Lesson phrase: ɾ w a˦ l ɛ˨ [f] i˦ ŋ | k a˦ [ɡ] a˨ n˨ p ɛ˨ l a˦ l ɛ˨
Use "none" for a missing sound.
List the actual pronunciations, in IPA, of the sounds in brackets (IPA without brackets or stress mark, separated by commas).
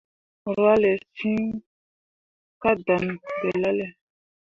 s, d